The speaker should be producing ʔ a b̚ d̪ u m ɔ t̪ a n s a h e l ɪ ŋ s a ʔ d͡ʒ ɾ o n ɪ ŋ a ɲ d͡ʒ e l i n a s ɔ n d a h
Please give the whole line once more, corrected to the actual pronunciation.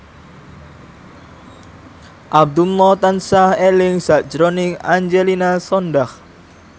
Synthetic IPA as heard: ʔ a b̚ d̪ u m ɔ t̪ a n s a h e l ɪ ŋ s a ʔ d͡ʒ ɾ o n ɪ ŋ a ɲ d͡ʒ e l i n a s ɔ n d a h